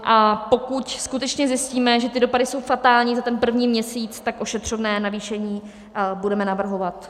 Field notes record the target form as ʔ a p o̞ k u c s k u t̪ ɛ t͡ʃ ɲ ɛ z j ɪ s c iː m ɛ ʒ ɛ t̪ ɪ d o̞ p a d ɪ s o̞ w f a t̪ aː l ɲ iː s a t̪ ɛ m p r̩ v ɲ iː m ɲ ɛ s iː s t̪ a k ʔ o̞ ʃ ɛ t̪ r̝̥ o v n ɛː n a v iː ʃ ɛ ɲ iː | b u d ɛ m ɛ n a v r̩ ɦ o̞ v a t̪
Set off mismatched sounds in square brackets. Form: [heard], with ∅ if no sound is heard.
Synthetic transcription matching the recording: ʔ a p o̞ k u c s k u t̪ ɛ t͡ʃ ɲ ɛ z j ɪ s c iː m ɛ ʒ ɛ t̪ ɪ d o̞ p a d ɪ s o̞ w f a t̪ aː l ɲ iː [z] a t̪ ɛ [n] p r̩ v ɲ iː m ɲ ɛ s iː [t͡s] t̪ a k ʔ o̞ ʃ ɛ t̪ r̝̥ o v n ɛː n a v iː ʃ ɛ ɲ iː | b u d ɛ m ɛ n a v r̩ ɦ o̞ v a t̪